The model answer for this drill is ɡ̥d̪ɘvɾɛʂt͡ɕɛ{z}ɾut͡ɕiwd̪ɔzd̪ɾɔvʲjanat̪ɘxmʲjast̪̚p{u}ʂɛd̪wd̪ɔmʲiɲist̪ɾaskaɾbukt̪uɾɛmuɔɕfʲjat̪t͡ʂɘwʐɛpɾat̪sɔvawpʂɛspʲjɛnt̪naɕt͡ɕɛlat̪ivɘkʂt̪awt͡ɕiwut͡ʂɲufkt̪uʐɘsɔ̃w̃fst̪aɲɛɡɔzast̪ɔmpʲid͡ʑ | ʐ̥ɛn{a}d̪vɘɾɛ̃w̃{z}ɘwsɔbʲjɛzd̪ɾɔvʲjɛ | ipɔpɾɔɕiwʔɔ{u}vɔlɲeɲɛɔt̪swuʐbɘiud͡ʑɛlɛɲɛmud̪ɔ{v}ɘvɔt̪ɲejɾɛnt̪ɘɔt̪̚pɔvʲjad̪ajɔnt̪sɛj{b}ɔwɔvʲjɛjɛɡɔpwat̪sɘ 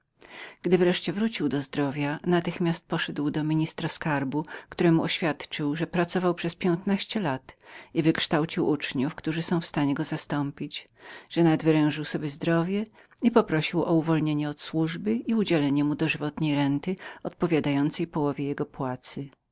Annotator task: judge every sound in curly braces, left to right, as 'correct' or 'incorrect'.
incorrect: v, incorrect: ɔ, correct, incorrect: ʐ, correct, incorrect: ʐ, incorrect: p

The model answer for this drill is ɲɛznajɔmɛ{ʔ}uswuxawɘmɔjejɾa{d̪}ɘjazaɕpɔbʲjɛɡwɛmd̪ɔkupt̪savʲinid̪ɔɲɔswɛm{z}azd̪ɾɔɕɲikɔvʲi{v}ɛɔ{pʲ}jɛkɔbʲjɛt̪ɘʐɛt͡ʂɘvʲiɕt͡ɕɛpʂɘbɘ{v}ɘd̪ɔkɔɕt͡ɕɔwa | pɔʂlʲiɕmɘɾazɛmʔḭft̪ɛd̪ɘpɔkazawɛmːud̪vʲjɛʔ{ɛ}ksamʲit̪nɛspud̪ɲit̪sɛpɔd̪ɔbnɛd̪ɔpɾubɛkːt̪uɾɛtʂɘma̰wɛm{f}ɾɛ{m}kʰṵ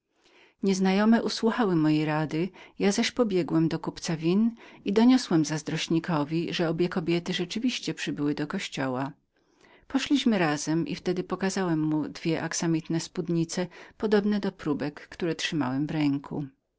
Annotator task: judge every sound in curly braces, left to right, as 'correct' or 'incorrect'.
correct, correct, correct, incorrect: ʐ, incorrect: bʲ, incorrect: w, incorrect: a, incorrect: v, incorrect: ŋ

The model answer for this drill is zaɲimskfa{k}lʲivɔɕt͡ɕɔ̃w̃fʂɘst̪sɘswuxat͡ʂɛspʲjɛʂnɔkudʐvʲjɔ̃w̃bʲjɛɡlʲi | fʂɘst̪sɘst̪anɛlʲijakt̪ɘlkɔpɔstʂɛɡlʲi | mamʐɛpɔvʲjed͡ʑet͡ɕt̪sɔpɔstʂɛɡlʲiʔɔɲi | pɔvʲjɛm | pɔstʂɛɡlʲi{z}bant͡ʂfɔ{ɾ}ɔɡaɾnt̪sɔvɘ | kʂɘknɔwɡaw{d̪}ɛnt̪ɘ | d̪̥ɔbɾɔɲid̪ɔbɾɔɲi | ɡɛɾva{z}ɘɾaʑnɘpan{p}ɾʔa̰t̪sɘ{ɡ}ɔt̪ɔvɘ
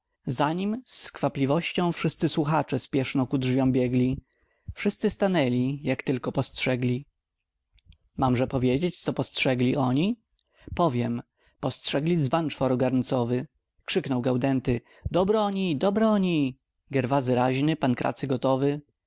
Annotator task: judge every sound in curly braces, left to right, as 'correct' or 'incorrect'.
incorrect: p, correct, correct, correct, correct, incorrect: k, correct

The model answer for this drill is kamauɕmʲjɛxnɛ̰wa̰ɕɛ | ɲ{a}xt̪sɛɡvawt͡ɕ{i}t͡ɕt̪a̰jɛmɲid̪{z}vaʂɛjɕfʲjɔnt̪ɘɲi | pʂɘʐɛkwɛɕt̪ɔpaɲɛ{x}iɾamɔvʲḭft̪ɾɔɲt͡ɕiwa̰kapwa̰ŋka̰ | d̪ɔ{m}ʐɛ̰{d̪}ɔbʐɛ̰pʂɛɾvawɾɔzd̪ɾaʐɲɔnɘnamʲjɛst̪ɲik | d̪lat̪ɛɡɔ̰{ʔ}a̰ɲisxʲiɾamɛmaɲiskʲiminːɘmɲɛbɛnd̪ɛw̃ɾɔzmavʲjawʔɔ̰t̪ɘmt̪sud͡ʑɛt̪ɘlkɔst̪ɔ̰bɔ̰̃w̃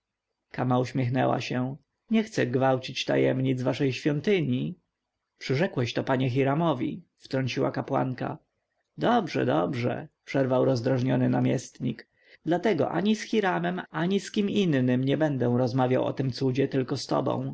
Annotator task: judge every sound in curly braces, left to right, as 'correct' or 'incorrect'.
incorrect: ɛ, correct, correct, correct, incorrect: b, correct, correct

